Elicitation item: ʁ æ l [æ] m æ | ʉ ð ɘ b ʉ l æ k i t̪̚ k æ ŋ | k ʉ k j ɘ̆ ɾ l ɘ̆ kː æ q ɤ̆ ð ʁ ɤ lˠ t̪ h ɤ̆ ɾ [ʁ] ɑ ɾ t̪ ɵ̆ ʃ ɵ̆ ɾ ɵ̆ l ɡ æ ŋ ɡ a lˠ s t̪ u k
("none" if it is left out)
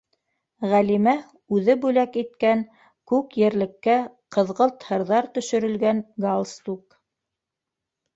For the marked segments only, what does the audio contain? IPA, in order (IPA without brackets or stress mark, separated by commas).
i, ð